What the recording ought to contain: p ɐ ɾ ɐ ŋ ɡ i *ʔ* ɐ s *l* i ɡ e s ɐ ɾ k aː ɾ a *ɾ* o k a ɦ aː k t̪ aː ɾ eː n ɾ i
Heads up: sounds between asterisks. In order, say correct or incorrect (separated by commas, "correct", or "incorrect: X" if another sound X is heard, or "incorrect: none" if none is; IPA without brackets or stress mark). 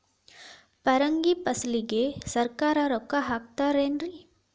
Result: incorrect: p, correct, correct